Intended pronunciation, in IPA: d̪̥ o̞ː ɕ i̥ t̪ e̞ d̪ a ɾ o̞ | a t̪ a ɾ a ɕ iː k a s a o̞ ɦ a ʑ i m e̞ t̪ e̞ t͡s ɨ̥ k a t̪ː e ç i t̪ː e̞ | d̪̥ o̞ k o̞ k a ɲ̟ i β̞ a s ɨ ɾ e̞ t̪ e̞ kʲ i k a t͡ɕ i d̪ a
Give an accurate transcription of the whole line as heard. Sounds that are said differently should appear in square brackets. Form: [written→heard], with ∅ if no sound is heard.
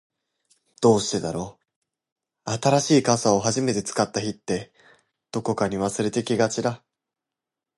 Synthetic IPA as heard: d̪̥ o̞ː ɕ i̥ t̪ e̞ d̪ a ɾ o̞ | a t̪ a ɾ a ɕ iː k a s a o̞ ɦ a ʑ i m e̞ t̪ e̞ t͡s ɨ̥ k a t̪ː [e→a] ç i t̪ː e̞ | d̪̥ o̞ k o̞ k a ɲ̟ i β̞ a s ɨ ɾ e̞ t̪ e̞ kʲ i [k→ɡ] a t͡ɕ i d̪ a